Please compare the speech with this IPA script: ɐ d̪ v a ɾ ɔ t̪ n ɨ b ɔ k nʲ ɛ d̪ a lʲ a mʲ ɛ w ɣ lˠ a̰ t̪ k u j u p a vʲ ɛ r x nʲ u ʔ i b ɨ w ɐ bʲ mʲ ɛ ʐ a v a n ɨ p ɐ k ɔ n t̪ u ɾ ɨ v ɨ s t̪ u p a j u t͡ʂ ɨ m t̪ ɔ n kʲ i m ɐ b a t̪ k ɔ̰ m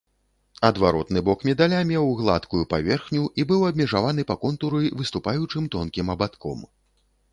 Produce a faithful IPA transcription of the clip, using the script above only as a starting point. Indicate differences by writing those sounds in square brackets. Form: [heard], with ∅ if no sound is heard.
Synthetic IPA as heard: ɐ d̪ v a ɾ ɔ t̪ n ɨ b ɔ k [mʲ] ɛ d̪ a lʲ a mʲ ɛ w ɣ lˠ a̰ t̪ k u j u p a vʲ ɛ r x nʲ u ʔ i b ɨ w ɐ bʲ mʲ ɛ ʐ a v a n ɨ p ɐ k ɔ n t̪ u ɾ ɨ v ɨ s t̪ u p a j u t͡ʂ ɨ m t̪ ɔ n kʲ i m ɐ b a t̪ k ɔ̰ m